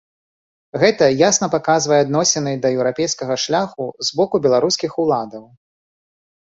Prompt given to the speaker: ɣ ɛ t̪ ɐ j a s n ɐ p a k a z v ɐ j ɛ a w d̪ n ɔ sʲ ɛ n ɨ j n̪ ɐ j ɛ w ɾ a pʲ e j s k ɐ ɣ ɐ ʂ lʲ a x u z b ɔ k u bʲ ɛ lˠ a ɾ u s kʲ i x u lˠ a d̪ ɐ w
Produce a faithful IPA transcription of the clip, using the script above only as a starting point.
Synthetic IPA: ɣ ɛ t̪ ɐ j a s n ɐ p a k a z v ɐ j ɛ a d̪ n ɔ sʲ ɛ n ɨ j d̪ ɐ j ɛ w ɾ a pʲ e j s k ɐ ɣ ɐ ʂ lʲ a x u z b ɔ k u bʲ ɛ lˠ a ɾ u s kʲ i x u lˠ a d̪ ɐ w